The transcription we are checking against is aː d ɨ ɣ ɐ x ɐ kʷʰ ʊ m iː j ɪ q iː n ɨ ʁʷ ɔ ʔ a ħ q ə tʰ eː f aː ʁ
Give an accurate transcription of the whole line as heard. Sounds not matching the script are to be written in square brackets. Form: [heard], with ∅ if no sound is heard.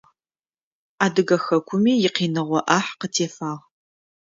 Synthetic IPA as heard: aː d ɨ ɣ ɐ x ɐ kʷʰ ʊ m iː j ɪ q iː n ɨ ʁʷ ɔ ʔ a ħ q ə tʰ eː f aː ʁ